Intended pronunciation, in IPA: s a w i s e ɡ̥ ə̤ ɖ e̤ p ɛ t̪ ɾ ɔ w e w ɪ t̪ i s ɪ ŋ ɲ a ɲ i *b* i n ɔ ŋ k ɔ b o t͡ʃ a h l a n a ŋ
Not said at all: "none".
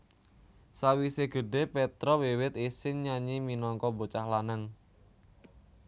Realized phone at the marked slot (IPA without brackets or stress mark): m